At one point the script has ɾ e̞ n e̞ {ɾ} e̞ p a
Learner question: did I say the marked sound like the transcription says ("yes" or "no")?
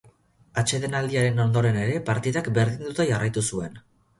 yes